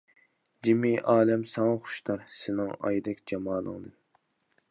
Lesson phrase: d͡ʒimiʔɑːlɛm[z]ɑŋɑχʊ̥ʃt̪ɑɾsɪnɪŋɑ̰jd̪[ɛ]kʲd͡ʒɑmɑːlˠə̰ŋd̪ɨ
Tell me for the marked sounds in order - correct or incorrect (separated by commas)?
incorrect, correct